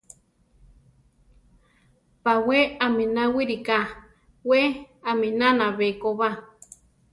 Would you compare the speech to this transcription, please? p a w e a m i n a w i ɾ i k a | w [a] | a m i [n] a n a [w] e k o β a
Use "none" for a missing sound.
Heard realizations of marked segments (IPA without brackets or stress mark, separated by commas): e, n, β